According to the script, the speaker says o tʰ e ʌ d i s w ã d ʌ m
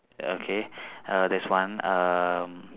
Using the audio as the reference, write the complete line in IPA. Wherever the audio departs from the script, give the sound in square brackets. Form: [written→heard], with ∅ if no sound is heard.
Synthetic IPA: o [tʰ→kʰ] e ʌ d [i→ɛ] s w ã [d→n] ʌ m